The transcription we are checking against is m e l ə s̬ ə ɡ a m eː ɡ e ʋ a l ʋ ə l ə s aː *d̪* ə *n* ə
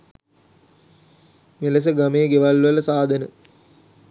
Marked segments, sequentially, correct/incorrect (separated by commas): correct, correct